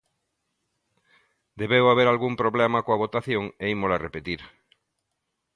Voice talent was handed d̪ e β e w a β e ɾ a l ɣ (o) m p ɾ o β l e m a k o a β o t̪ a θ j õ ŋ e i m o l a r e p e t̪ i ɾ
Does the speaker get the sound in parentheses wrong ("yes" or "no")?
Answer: yes